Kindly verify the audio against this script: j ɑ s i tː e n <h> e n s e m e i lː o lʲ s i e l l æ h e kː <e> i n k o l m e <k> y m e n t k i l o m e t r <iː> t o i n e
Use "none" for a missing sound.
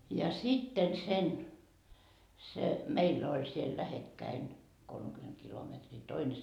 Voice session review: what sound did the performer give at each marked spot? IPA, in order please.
s, æ, k, iː

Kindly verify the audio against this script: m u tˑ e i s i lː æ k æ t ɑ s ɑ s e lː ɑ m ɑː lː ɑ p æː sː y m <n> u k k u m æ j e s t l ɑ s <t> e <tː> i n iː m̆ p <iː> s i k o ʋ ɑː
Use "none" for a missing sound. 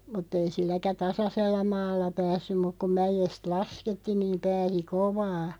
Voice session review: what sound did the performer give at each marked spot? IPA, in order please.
m, k, tː, æː

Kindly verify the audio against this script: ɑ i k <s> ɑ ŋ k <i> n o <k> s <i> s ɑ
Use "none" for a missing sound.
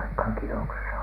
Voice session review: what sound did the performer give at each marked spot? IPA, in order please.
h, i, k, e

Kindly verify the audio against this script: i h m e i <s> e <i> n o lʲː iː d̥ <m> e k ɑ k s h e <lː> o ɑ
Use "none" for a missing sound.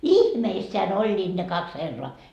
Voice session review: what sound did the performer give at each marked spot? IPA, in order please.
sː, æ, n, rː

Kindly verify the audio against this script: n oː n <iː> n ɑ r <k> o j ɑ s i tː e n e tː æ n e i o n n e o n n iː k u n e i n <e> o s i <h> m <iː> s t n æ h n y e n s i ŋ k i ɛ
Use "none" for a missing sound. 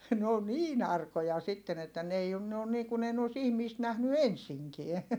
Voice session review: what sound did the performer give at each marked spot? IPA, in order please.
iː, k, e, h, iː

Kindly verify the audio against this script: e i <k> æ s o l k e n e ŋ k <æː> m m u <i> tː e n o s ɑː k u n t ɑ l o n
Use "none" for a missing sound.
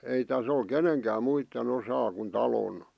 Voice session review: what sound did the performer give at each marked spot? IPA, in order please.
t, æː, i

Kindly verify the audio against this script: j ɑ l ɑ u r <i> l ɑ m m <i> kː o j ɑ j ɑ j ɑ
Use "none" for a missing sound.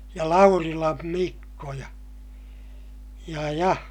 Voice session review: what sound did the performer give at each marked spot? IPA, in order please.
i, i

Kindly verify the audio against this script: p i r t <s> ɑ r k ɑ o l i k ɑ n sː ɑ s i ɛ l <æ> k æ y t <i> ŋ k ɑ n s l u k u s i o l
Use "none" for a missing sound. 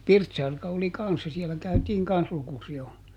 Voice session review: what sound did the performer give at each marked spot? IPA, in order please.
s, æ, iː

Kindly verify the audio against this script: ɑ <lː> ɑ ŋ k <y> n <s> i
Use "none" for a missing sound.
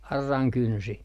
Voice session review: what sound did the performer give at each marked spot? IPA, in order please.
rː, y, s

